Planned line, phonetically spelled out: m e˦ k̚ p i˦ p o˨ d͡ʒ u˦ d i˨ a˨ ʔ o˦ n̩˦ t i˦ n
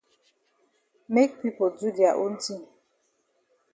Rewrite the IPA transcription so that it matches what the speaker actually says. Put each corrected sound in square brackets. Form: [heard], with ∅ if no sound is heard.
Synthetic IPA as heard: m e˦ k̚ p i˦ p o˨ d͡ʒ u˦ d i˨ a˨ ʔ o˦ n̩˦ t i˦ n